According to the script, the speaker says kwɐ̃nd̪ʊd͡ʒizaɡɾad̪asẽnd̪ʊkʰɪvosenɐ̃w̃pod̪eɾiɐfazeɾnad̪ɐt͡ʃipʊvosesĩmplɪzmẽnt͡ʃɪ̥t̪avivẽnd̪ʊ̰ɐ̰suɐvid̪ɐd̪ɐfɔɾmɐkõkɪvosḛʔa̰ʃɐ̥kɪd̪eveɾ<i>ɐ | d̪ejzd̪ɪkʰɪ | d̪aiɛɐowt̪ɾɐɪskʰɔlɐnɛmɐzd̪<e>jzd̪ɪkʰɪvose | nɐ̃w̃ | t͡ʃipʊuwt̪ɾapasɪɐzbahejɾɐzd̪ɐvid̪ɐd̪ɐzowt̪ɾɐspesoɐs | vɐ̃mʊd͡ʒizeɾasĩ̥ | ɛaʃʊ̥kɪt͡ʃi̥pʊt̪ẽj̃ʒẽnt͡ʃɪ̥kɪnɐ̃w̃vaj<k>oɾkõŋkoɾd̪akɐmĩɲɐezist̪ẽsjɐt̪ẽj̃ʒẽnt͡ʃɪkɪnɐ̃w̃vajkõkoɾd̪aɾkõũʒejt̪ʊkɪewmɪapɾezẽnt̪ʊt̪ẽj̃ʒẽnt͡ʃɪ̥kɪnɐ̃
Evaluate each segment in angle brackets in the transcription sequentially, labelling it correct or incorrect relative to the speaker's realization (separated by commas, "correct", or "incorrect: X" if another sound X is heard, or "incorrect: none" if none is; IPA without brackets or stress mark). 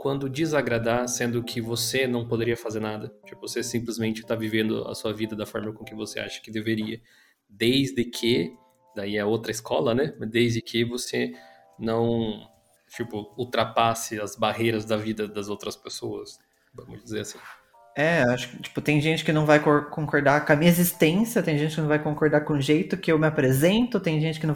correct, correct, correct